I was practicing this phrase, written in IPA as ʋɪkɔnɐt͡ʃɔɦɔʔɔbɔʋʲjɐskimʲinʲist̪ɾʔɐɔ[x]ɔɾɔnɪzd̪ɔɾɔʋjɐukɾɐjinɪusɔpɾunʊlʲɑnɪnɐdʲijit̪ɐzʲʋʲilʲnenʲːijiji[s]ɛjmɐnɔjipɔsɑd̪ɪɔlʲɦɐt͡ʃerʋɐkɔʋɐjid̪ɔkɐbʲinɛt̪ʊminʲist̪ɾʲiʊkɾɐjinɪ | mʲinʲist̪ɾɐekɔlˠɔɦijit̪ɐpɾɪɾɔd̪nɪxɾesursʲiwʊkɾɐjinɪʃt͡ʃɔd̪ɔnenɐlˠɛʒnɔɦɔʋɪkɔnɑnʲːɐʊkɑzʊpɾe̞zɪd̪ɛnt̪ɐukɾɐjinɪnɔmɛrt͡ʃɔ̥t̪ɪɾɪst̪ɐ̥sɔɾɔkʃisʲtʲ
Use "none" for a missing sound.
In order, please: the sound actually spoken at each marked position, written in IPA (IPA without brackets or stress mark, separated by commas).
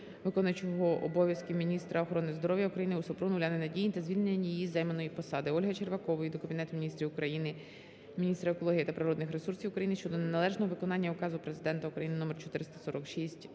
x, z